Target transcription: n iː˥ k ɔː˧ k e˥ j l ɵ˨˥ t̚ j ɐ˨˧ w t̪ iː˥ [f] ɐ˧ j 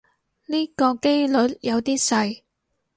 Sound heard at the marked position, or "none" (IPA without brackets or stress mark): s